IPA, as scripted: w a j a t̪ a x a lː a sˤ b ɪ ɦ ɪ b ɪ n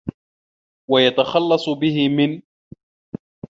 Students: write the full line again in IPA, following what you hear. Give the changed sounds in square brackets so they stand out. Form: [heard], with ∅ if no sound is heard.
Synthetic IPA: w a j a t̪ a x [ɑ] lː [ɑ] sˤ b ɪ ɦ ɪ [m] ɪ n